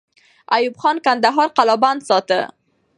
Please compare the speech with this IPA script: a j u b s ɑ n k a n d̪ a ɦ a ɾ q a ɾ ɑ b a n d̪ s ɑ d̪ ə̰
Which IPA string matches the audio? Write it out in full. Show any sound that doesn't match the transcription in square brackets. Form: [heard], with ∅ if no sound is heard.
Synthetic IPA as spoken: a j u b [x] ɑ n k a n d̪ a ɦ [ɑ] ɾ q a [l] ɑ b a n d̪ s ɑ [t̪] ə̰